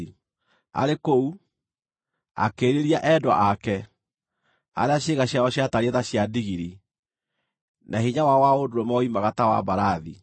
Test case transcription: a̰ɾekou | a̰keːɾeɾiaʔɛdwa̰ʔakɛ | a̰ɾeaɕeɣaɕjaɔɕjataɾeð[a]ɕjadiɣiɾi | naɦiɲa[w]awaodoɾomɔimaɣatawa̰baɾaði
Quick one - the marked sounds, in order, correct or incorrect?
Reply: correct, correct

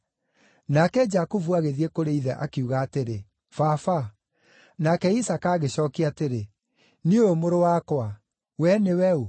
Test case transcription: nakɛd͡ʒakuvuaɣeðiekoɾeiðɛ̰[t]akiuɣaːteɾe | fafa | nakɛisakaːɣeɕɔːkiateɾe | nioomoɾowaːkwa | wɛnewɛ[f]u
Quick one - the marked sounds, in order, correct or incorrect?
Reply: incorrect: ʔ, incorrect: none

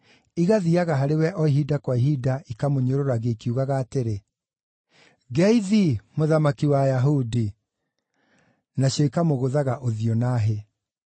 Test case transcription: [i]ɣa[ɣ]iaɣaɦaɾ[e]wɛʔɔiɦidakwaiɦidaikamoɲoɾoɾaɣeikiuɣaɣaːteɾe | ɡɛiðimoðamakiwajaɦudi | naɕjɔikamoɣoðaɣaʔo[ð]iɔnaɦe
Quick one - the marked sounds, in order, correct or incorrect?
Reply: correct, incorrect: ð, correct, correct

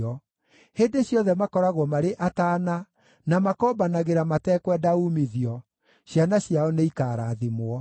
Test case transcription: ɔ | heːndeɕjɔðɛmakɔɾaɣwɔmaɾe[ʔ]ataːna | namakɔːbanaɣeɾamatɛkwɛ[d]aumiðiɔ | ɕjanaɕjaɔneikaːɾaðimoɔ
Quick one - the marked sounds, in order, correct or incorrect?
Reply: correct, correct

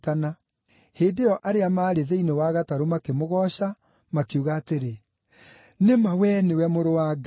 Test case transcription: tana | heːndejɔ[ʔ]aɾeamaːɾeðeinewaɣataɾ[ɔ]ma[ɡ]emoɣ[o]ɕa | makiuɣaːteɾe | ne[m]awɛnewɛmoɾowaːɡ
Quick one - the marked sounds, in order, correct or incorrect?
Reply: correct, incorrect: o, incorrect: k, incorrect: ɔ, correct

